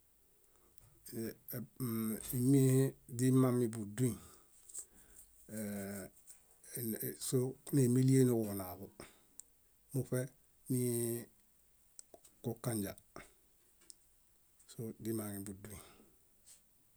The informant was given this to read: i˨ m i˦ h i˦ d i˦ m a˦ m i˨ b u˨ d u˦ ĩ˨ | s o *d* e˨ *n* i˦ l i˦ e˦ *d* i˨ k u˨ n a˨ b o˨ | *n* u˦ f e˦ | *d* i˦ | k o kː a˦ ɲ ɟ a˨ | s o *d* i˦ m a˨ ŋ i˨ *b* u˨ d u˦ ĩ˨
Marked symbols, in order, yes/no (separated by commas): no, no, no, no, no, yes, yes